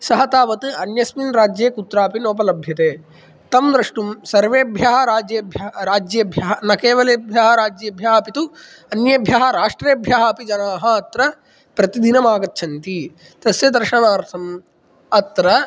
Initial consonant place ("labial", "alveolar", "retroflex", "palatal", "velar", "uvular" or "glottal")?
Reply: alveolar